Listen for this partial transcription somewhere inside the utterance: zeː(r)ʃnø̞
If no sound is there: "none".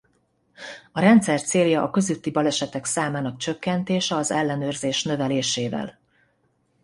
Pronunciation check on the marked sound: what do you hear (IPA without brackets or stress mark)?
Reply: none